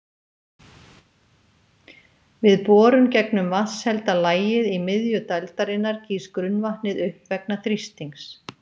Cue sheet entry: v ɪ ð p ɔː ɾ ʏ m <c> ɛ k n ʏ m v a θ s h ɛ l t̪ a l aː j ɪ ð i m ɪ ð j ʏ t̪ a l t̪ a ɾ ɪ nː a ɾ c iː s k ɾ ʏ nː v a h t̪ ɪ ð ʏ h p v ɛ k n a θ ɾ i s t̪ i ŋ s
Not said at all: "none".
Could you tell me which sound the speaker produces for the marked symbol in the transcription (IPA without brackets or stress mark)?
c